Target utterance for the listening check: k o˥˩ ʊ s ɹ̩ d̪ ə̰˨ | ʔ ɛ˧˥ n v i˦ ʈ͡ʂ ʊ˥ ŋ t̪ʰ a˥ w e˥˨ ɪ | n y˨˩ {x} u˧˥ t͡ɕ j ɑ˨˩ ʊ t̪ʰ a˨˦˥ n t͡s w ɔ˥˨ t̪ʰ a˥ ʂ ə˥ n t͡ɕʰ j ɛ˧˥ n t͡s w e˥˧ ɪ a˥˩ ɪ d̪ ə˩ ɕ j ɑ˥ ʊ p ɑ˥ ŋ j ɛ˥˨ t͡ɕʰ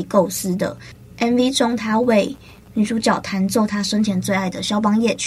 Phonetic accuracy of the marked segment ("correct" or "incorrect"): incorrect